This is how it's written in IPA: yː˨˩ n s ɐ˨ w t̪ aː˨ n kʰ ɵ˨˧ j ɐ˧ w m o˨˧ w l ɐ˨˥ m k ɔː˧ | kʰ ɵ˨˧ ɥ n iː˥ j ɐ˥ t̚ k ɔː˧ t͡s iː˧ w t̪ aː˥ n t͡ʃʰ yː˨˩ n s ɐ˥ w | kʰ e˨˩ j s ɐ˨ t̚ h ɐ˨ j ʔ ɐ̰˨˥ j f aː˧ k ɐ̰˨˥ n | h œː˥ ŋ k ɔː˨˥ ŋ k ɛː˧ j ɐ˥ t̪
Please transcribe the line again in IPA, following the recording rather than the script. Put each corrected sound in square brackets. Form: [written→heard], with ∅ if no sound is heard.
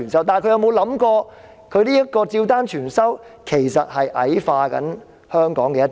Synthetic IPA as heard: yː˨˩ n s [ɐ˨→ɐ˥] w t̪ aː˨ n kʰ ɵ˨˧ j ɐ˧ w m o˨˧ w l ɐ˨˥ m k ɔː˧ | kʰ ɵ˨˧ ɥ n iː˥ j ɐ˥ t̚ k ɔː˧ t͡s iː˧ w t̪ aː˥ n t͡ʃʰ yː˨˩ n s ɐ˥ w | kʰ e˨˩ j s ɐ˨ t̚ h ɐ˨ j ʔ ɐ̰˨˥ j f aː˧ k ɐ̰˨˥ n | h œː˥ ŋ k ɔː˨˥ ŋ k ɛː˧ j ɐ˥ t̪